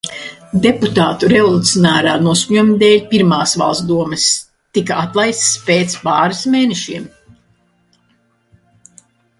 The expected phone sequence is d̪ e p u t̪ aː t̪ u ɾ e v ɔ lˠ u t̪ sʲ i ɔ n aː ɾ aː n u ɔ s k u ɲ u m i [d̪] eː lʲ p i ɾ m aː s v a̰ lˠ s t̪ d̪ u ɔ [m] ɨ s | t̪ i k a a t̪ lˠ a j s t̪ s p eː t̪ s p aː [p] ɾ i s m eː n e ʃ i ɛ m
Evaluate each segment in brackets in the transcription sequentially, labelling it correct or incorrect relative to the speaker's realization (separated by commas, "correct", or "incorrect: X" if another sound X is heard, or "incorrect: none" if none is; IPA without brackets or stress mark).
correct, correct, incorrect: none